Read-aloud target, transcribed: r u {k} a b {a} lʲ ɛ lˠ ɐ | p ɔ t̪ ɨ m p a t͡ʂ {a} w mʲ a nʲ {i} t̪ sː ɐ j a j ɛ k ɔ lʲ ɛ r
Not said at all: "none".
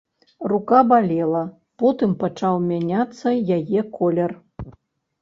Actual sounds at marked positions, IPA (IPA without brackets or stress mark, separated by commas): k, a, a, a